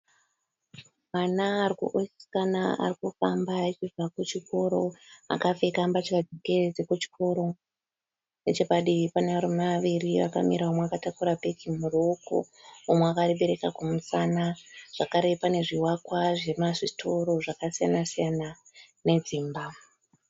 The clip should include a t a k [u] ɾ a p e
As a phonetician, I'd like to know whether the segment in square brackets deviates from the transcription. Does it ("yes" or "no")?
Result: no